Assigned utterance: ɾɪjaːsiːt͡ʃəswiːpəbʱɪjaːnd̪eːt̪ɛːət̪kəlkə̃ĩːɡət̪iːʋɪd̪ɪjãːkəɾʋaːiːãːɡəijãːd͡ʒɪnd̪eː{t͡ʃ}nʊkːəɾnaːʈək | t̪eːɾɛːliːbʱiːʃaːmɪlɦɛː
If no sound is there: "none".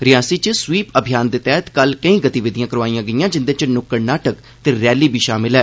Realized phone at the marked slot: t͡ʃ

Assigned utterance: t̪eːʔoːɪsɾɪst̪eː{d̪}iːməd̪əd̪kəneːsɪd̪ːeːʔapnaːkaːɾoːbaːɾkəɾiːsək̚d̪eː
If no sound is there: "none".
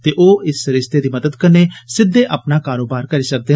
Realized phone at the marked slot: d̪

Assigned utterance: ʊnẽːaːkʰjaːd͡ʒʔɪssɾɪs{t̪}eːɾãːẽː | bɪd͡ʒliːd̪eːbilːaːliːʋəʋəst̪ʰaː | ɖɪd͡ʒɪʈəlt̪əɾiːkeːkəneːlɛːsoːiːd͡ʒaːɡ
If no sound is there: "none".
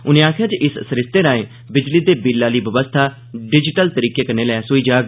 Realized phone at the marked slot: t̪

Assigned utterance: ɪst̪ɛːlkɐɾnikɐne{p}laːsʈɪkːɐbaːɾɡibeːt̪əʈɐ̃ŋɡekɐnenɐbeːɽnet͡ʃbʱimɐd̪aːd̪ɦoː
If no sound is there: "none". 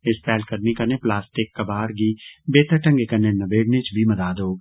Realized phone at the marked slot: p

